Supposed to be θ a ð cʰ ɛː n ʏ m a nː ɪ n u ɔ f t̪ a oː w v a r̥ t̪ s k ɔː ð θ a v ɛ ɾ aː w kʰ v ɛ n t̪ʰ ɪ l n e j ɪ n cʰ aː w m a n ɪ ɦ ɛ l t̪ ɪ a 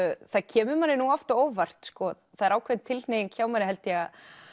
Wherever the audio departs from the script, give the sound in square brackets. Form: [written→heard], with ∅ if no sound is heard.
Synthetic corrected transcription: θ a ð cʰ ɛː [n→m] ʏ m a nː ɪ n u ɔ f t̪ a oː w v a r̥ t̪ s k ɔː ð θ a [v→ð] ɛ ɾ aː w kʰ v ɛ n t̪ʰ ɪ l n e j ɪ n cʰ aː w m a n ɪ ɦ ɛ l t̪ ɪ a